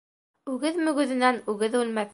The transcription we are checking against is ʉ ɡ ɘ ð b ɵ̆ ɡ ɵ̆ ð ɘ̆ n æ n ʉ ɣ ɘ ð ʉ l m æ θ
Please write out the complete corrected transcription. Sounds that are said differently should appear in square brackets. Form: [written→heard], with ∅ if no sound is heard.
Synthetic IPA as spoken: ʉ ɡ ɘ ð [b→m] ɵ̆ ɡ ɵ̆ ð ɘ̆ n æ n ʉ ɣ ɘ ð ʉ l m æ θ